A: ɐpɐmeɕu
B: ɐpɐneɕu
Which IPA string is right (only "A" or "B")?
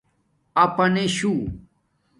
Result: B